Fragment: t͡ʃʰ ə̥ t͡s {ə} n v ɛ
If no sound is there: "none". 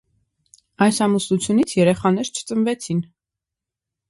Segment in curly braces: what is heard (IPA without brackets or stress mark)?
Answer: ə